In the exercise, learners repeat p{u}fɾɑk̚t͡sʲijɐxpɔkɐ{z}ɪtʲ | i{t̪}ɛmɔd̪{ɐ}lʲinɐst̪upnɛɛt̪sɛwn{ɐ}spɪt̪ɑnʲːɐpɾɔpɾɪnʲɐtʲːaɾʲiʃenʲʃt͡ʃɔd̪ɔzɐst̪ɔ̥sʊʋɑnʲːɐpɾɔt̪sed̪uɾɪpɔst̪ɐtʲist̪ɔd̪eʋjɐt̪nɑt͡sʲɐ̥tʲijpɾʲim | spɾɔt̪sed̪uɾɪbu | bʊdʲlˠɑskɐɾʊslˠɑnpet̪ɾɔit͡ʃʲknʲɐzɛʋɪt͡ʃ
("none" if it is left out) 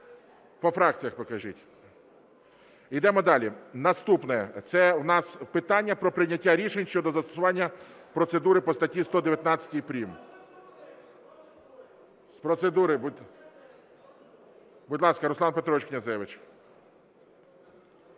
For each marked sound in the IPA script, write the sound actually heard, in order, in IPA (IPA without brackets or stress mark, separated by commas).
ɔ, ʒ, d̪, ɑ, ɑ